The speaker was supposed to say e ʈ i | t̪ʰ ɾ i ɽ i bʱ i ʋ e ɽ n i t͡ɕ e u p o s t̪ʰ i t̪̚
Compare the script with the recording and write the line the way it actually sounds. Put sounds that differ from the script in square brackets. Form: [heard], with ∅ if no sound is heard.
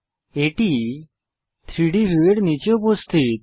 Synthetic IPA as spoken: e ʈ i | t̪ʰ ɾ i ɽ i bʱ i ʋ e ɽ n i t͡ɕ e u p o s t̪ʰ i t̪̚